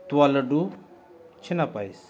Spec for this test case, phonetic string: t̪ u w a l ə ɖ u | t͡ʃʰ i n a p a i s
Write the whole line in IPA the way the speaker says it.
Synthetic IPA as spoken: t̪ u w a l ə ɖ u | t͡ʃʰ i n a p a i s

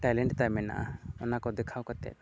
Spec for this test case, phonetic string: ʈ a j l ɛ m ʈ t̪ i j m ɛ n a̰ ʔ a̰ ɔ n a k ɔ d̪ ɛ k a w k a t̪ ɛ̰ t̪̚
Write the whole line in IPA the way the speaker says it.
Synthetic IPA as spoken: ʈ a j l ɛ ɳ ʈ t̪ a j m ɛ n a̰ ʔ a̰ ɔ n a k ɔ d̪ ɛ kʰ a w k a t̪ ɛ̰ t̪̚

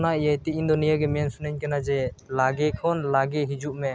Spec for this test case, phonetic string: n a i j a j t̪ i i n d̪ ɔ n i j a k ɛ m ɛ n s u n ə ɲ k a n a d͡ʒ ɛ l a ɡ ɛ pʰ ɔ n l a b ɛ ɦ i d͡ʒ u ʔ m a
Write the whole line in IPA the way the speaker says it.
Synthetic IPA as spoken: n a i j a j t̪ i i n d̪ ɔ n i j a ɡ ɛ m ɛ n s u n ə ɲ k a n a d͡ʒ ɛ l a ɡ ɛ kʰ ɔ n l a ɡ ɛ ɦ i d͡ʒ u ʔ m ɛ

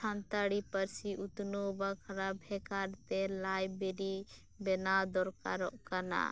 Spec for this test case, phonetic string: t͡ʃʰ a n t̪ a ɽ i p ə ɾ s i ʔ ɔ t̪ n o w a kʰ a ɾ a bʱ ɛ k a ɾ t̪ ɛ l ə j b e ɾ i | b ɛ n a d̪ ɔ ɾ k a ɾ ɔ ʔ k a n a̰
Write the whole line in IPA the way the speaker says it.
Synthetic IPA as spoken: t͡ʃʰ a n t̪ a ɽ i p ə ɾ s i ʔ u t̪ n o b a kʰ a ɾ a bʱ ɛ k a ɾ t̪ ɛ l a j b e ɾ i | b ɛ n a d̪ ɔ ɾ k a ɾ ɔ ʔ k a n a̰

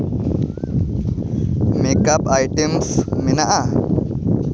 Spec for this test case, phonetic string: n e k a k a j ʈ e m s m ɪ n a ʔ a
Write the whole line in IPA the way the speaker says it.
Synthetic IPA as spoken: m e k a p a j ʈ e m s m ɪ n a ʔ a

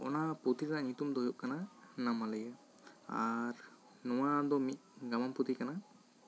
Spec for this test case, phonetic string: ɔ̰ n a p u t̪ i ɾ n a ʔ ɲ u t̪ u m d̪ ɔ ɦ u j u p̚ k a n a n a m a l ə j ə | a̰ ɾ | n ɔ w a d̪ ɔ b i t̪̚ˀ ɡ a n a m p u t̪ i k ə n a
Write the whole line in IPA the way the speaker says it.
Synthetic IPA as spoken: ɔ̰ n a p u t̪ i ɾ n a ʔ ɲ u t̪ u m d̪ ɔ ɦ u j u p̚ k a n a n a m a l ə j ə | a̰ ɾ | n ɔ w a d̪ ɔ m i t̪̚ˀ ɡ a m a m p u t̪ i k a n a

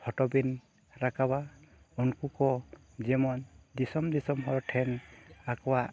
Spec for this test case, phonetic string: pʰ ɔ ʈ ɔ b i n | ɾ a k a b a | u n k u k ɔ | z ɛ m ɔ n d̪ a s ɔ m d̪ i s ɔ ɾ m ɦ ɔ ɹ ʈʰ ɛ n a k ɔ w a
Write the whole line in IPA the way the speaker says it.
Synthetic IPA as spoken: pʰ ɔ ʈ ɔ b i n | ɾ a k a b a | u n k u k ɔ | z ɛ m ɔ n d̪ i s ɔ m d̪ i s ɔ m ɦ ɔ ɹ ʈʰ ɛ n a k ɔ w a

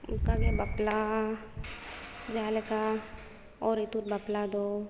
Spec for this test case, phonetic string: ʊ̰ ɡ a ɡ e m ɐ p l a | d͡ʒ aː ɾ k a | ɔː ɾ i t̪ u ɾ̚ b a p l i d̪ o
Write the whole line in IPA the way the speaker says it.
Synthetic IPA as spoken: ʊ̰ k a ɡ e b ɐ p l a | d͡ʒ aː l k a | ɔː ɾ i t̪ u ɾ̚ b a p l a d̪ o

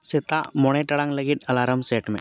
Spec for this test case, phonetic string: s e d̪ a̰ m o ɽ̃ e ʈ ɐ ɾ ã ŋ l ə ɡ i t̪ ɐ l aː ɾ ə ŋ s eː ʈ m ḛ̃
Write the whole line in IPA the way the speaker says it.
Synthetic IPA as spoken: s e t̪ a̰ m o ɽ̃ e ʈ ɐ ɽ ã ŋ l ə ɡ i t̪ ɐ l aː ɾ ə m s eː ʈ m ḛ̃

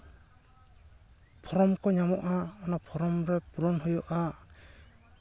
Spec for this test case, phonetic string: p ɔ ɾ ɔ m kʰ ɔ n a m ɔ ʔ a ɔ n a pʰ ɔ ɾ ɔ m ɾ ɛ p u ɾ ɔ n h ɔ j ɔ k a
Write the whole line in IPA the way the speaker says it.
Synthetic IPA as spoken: pʰ ɔ ɾ ɔ m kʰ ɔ ɲ a m ɔ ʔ a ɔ n a pʰ ɔ ɾ ɔ m ɾ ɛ p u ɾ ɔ n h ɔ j ɔ ʔ a

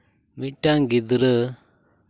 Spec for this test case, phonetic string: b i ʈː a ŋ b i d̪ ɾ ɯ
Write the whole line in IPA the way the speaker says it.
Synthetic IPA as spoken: m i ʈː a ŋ ɡ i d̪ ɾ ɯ

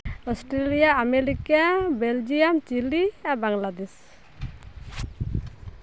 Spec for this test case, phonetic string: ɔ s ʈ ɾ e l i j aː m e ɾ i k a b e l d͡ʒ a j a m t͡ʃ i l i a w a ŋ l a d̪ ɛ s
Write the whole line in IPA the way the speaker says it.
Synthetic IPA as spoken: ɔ s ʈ ɾ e l i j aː m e ɾ i k a b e l d͡ʒ i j a m t͡ʃ i l i a b a ŋ l a d̪ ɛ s

